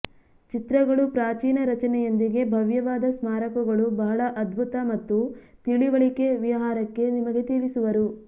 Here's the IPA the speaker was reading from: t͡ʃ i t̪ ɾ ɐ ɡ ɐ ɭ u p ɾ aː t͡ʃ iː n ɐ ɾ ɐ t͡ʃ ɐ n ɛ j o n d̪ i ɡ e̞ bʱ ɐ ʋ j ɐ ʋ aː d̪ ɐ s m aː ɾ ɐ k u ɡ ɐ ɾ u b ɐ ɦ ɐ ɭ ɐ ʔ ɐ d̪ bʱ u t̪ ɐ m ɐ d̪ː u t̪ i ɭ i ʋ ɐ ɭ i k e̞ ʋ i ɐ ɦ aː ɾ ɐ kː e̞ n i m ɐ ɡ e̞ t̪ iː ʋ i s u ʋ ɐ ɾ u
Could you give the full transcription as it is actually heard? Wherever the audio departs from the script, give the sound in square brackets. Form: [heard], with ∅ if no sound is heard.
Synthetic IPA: t͡ʃ i t̪ ɾ ɐ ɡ ɐ ɭ u p ɾ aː t͡ʃ iː n ɐ ɾ ɐ t͡ʃ ɐ n ɛ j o n d̪ i ɡ e̞ bʱ ɐ ʋ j ɐ ʋ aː d̪ ɐ s m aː ɾ ɐ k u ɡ ɐ [ɭ] u b ɐ ɦ ɐ ɭ ɐ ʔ ɐ d̪ bʱ u t̪ ɐ m ɐ [t̪ː] u t̪ i ɭ i ʋ ɐ ɭ i k e̞ ʋ i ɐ ɦ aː ɾ ɐ kː e̞ n i m ɐ ɡ e̞ t̪ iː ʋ i s u ʋ ɐ ɾ u